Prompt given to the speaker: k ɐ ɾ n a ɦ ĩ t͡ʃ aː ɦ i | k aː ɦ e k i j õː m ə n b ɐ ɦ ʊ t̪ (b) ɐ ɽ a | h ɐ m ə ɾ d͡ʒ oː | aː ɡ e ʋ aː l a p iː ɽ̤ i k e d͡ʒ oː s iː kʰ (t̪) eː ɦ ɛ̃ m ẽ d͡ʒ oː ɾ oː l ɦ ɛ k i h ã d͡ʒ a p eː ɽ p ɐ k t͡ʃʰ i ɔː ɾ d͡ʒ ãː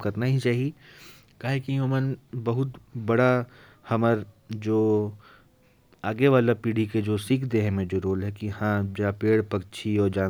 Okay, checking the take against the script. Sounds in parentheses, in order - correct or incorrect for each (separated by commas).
correct, incorrect